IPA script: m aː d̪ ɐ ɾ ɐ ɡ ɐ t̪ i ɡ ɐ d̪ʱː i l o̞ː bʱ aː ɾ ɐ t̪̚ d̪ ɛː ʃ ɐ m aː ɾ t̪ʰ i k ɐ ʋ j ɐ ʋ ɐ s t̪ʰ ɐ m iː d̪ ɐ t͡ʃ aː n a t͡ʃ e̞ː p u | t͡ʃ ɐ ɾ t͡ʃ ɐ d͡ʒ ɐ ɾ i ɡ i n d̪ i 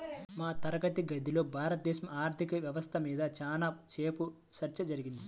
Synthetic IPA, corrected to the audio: m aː t̪ ɐ ɾ ɐ ɡ ɐ t̪ i ɡ ɐ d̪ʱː i l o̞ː bʱ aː ɾ ɐ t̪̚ d̪ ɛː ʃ ɐ m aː ɾ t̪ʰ i k ɐ ʋ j ɐ ʋ ɐ s t̪ʰ ɐ m iː d̪ ɐ t͡ʃ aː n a t͡ʃ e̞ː p u | t͡ʃ ɐ ɾ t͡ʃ ɐ d͡ʒ ɐ ɾ i ɡ i n d̪ i